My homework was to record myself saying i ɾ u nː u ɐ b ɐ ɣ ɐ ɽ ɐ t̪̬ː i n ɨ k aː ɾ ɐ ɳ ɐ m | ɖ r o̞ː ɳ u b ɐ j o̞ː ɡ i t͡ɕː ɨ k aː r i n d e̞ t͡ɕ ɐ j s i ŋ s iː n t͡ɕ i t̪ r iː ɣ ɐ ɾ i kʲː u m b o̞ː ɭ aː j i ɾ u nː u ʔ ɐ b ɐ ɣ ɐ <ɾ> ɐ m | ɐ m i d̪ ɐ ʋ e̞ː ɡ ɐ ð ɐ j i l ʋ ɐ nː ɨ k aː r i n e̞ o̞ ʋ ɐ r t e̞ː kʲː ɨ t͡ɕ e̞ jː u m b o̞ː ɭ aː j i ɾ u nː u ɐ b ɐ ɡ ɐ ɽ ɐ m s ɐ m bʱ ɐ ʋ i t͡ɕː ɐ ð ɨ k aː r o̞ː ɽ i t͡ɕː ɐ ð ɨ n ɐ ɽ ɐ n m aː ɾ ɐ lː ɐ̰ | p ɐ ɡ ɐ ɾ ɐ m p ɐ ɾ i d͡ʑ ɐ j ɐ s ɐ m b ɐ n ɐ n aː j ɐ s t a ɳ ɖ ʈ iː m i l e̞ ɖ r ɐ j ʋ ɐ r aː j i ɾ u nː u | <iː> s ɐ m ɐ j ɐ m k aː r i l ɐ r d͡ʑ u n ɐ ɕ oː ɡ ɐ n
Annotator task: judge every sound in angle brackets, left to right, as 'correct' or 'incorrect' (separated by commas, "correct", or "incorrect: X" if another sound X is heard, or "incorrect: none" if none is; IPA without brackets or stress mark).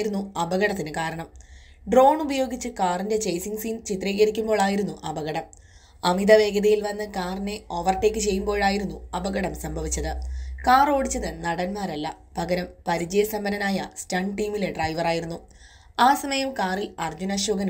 incorrect: ɽ, incorrect: aː